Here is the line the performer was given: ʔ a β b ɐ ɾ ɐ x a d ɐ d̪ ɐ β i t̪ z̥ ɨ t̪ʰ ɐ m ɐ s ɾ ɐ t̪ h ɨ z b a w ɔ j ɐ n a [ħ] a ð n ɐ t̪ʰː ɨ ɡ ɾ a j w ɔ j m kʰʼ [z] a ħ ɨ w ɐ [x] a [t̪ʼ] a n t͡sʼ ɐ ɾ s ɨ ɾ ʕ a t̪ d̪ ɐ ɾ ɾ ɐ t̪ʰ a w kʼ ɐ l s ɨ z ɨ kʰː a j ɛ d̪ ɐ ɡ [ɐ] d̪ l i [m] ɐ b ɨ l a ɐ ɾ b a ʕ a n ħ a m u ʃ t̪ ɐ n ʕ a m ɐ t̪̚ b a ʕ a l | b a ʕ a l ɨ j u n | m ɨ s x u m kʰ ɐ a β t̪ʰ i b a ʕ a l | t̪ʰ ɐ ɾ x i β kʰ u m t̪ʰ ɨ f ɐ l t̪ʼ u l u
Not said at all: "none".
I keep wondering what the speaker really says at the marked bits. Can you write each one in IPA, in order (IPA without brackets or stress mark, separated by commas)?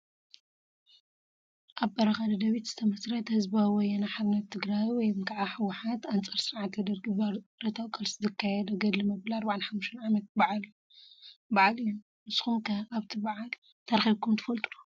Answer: ħ, ʕ, ħ, t̪, ɐ, m